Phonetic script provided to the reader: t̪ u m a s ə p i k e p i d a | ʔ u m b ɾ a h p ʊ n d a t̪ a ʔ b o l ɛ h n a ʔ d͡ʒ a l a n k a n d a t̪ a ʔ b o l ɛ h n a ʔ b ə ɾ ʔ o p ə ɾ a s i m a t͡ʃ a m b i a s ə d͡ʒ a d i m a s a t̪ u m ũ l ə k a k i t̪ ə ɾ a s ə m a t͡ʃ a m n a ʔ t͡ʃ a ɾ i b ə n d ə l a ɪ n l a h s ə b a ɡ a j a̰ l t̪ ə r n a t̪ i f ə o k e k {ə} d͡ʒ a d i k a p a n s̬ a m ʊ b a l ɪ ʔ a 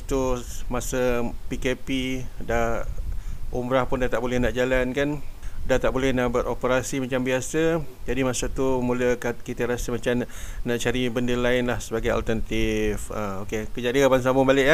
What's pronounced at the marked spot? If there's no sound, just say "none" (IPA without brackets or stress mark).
ə